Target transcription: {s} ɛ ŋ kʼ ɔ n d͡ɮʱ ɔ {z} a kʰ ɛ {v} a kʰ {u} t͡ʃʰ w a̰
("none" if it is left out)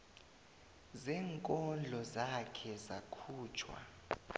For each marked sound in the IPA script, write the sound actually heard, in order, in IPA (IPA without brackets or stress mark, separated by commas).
z, z, z, uː